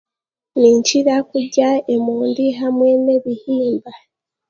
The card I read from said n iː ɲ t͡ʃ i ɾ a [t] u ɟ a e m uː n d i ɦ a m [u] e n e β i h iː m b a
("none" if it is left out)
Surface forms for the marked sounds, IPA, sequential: k, w

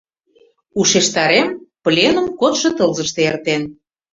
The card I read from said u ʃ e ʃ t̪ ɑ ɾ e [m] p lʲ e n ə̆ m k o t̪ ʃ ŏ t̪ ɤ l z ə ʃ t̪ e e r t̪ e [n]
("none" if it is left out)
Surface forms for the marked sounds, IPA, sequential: m, n

